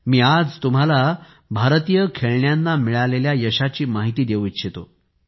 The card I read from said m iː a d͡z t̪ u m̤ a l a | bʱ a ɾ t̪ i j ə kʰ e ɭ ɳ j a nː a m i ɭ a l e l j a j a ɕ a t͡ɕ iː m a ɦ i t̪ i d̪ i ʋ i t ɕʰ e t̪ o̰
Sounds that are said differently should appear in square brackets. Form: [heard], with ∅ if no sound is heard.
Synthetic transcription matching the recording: m iː a d͡z t̪ u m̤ a l a | bʱ a ɾ t̪ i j ə kʰ e ɭ ɳ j a nː a m i ɭ a l e l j a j [ə] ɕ a t͡ɕ iː m a ɦ i t̪ [iː] d̪ [e] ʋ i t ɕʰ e t̪ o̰